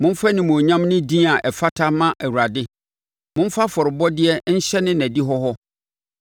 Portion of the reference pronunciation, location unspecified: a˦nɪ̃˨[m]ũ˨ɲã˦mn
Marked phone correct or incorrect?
correct